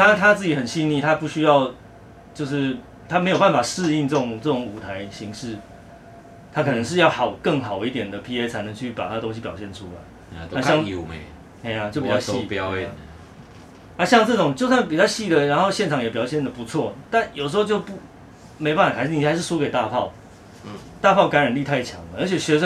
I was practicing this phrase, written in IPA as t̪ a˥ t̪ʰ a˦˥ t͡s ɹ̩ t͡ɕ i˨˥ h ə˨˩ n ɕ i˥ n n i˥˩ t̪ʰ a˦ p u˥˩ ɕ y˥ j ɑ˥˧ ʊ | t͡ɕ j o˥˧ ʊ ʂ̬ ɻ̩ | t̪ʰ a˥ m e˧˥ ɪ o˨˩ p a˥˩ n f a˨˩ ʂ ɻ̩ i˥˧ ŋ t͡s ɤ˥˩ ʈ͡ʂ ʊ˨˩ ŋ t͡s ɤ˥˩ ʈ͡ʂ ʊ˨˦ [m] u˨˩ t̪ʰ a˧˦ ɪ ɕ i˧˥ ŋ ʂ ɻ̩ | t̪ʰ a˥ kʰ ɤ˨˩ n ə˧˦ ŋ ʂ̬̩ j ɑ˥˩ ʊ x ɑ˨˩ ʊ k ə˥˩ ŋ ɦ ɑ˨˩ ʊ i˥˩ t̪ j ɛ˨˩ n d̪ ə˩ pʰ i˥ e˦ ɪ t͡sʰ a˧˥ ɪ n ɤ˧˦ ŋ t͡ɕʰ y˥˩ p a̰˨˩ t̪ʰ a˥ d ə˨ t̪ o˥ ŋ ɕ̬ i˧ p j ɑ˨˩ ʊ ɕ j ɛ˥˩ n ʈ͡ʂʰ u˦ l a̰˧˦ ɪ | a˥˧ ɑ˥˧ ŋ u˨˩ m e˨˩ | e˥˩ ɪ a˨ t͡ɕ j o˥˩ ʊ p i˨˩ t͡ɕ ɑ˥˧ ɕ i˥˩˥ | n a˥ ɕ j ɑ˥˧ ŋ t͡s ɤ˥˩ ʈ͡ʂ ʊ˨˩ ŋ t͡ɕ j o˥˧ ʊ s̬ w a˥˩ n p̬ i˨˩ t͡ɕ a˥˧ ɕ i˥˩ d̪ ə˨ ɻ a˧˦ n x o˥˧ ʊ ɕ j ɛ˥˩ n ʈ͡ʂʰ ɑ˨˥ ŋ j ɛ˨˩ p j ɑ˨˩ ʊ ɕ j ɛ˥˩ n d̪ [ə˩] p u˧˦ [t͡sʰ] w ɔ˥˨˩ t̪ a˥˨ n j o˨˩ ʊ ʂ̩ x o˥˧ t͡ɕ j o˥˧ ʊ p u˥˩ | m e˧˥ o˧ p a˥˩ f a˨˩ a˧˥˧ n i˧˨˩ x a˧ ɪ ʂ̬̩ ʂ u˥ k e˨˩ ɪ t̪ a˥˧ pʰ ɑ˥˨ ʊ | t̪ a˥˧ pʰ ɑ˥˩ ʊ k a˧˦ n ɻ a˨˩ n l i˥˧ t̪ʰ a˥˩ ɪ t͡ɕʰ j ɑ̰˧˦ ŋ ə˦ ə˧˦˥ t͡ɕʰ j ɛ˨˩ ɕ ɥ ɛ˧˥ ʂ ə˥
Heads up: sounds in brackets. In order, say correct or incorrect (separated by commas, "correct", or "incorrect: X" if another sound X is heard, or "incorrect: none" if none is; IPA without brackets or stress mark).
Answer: incorrect: ŋ, correct, correct